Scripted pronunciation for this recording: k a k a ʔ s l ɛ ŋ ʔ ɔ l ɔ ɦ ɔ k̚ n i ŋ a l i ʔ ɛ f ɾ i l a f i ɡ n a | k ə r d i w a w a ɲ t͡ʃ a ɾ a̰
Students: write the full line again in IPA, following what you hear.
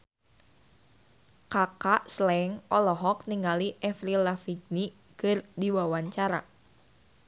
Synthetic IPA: k a k a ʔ s l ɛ ŋ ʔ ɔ l ɔ ɦ ɔ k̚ n i ŋ a l i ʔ ɛ f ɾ i l a f i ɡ n i | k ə r d i w a w a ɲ t͡ʃ a ɾ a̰